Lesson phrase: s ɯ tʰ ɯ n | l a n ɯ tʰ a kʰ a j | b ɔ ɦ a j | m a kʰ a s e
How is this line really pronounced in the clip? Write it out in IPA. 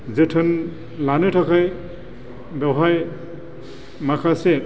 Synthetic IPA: z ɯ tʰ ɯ n | l a n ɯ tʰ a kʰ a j | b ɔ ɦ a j | m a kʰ a s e